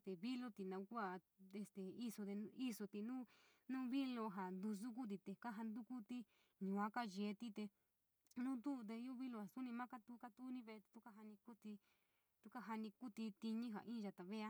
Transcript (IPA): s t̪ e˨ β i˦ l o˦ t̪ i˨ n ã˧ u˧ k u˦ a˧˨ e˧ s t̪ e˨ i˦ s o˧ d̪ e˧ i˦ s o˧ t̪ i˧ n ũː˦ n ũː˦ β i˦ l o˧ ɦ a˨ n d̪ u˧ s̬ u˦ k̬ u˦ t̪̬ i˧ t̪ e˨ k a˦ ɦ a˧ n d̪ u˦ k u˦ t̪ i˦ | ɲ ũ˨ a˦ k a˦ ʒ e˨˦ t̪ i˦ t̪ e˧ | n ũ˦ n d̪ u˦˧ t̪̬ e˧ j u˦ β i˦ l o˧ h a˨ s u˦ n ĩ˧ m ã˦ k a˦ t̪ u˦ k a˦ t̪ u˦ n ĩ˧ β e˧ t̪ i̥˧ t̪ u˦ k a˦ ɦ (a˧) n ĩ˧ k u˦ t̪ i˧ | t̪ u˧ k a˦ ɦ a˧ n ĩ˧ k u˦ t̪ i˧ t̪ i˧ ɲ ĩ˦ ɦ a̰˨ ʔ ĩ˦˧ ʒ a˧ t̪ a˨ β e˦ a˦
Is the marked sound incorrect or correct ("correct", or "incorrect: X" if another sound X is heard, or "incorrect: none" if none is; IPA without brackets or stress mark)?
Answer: correct